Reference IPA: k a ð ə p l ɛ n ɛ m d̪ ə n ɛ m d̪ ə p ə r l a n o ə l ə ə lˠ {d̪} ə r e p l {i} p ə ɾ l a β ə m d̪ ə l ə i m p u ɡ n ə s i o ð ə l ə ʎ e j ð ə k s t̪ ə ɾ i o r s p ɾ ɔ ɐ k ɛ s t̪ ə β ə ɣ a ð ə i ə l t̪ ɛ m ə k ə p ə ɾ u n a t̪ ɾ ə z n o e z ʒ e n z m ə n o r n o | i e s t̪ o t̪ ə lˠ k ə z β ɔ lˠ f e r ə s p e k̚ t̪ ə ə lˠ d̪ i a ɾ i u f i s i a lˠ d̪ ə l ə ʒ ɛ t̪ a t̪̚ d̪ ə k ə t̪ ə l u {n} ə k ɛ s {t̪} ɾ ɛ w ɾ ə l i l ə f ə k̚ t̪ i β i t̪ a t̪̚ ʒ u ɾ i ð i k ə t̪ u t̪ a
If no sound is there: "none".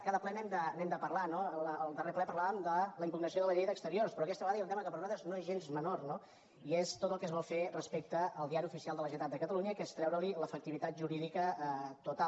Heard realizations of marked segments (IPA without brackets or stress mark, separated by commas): d̪, ɛ, ɲ, t̪